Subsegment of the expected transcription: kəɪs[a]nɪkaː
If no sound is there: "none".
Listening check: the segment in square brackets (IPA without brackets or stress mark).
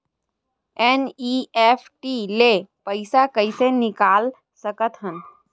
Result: e